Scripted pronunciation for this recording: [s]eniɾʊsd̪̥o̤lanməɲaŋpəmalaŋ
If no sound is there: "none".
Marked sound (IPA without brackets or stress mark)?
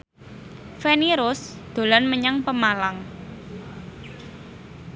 f